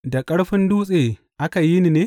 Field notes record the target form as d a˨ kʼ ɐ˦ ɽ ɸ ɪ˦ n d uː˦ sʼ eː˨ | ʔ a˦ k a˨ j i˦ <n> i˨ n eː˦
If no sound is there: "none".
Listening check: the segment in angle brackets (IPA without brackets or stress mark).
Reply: n